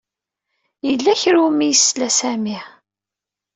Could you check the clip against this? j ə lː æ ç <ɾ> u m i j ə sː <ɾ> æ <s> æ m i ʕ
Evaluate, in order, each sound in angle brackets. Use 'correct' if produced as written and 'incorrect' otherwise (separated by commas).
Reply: correct, incorrect, correct